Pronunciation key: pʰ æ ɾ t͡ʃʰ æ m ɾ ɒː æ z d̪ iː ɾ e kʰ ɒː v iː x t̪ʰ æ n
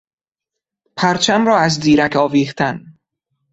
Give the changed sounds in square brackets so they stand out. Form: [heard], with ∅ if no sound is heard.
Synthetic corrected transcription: pʰ æ ɾ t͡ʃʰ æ m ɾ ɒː æ z d̪ iː ɾ [æ] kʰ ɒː v iː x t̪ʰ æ n